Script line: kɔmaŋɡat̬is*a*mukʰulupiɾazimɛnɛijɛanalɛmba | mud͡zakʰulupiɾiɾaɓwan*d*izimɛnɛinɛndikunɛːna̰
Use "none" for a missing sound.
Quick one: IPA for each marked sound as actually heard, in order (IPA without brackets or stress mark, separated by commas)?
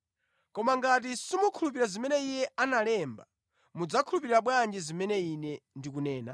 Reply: i, d͡ʒ